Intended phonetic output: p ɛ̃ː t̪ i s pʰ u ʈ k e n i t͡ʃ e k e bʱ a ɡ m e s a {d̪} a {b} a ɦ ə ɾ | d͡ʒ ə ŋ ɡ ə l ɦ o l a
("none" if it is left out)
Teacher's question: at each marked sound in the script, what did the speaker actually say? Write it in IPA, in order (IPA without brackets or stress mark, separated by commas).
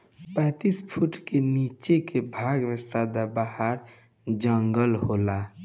d̪, b